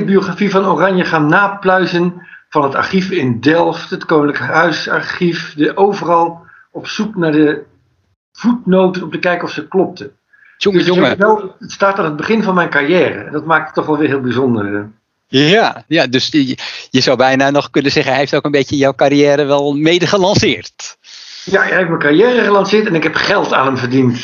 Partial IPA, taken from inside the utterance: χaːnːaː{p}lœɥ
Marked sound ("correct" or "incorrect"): correct